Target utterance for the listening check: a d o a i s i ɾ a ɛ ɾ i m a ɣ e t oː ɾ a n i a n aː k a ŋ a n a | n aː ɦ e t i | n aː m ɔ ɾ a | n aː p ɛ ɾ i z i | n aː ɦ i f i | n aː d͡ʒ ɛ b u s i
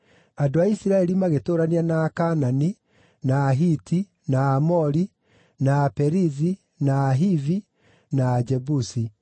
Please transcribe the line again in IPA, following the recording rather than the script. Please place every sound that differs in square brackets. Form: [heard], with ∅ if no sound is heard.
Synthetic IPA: a d o a i s i ɾ a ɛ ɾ i m a ɣ e t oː ɾ a n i a n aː k a [n] a n [i] | n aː ɦ [i] t i | n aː m ɔ ɾ [i] | n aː p ɛ ɾ i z i | n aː ɦ i [v] i | n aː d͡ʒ ɛ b u s i

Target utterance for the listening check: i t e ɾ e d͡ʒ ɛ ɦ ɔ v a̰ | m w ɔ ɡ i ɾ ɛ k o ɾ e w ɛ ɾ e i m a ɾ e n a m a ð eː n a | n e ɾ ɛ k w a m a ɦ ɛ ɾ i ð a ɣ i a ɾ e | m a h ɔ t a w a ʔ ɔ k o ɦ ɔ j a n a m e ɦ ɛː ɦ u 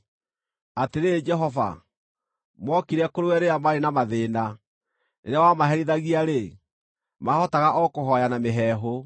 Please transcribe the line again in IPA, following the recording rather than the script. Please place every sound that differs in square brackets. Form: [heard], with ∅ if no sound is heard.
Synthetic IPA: [a] t e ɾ e d͡ʒ ɛ ɦ ɔ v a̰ | m w ɔ [k] i ɾ ɛ k o ɾ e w ɛ ɾ e [a] m a ɾ e n a m a ð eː n a | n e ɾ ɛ [∅] w a m a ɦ ɛ ɾ i ð a ɣ i a ɾ e | m a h ɔ t a [ɣ] a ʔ ɔ k o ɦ ɔ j a n a m e ɦ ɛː ɦ [o]

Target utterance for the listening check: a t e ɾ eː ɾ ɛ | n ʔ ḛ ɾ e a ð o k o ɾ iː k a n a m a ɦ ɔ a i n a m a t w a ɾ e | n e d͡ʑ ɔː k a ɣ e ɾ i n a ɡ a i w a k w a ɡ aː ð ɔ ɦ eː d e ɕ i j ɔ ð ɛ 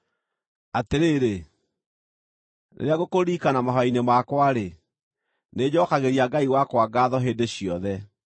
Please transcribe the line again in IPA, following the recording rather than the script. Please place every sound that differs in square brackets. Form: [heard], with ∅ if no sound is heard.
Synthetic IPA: a t e ɾ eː ɾ [e] | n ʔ ḛ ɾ e a [ɣ] o k o ɾ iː k a n a m a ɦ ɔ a i n [e] m a [k] w a ɾ e | n e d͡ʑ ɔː k a ɣ e ɾ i [∅] a ɡ a i w a k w a ɡ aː ð ɔ ɦ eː d e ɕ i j ɔ ð ɛ

